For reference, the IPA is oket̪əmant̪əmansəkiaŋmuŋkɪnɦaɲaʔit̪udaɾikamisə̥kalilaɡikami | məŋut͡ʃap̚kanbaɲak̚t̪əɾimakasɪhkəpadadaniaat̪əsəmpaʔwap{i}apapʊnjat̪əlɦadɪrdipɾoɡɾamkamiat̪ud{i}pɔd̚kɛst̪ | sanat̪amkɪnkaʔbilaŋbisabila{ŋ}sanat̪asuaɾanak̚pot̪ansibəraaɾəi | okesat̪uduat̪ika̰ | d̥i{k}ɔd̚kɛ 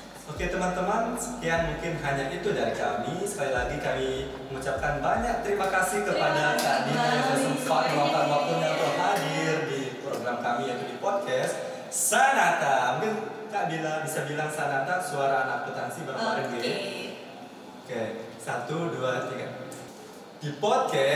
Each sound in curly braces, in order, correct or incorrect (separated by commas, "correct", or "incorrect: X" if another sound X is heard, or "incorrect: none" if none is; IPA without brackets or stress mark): incorrect: a, correct, correct, incorrect: p